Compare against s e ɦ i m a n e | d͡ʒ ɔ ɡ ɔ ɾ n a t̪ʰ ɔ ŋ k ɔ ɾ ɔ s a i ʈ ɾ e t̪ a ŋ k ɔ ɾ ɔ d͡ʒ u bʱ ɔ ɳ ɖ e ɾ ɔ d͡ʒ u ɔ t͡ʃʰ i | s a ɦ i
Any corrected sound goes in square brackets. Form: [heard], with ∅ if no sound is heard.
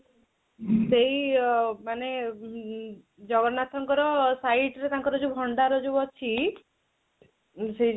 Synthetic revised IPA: s e ɦ i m a n e | d͡ʒ ɔ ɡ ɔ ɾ n a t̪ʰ ɔ ŋ k ɔ ɾ ɔ s a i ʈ ɾ e t̪ a ŋ k ɔ ɾ ɔ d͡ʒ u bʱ ɔ ɳ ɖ [a] ɾ ɔ d͡ʒ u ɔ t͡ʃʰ i | s [e] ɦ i